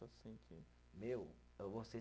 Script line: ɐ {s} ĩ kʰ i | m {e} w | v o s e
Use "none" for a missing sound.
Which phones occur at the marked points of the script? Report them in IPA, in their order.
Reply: s, e

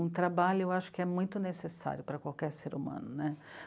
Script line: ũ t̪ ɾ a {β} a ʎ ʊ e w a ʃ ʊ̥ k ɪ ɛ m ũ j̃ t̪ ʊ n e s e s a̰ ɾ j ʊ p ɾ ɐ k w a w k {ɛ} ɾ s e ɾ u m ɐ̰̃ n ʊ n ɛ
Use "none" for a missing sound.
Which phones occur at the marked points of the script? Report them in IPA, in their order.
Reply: b, ɛ

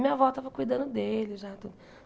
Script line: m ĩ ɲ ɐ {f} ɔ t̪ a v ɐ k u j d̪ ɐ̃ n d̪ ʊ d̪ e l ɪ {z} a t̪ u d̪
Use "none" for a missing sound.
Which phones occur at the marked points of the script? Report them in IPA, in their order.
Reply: v, ʒ

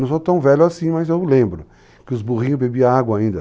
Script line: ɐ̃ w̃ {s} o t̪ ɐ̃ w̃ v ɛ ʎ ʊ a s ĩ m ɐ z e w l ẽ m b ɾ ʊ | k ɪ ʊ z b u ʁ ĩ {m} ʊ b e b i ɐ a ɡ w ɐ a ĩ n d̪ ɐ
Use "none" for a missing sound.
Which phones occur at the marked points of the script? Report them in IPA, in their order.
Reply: s, ɲ

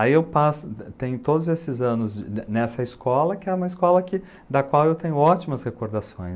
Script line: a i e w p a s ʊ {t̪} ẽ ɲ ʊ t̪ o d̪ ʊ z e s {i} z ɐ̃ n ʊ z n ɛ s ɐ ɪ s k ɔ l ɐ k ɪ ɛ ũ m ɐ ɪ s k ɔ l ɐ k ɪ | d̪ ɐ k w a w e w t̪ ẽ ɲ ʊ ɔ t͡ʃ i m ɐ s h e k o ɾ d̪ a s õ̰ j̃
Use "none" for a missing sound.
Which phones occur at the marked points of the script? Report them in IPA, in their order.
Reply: t̪, ɪ

